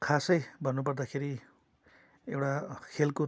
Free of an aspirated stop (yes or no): no